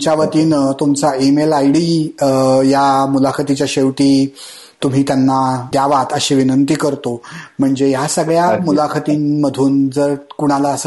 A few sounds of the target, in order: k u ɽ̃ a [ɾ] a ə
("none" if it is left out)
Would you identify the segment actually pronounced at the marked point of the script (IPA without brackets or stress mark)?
l